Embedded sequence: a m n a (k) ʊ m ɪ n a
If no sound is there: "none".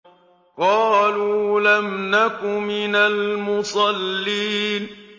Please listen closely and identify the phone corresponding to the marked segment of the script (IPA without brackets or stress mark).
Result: k